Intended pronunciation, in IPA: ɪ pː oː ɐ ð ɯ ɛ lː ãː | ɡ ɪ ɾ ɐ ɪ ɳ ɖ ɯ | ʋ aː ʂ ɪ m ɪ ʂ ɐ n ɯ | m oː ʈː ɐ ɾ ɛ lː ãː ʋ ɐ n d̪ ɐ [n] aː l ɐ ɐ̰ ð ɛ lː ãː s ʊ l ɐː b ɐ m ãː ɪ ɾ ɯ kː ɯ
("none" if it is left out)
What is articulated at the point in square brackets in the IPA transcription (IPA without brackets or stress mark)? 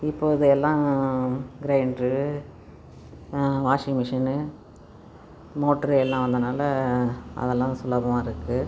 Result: n